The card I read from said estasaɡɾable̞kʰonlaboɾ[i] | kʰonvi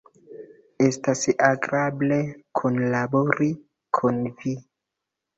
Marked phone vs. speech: correct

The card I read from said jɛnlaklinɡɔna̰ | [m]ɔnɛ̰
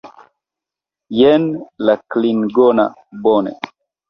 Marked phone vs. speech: incorrect: b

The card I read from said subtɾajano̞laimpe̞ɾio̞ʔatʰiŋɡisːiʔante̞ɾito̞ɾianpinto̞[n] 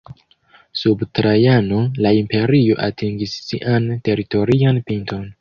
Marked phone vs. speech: correct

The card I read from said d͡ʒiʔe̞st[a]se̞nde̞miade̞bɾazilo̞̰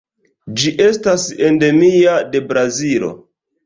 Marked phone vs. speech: correct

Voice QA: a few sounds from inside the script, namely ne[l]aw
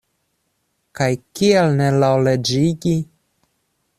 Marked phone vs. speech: correct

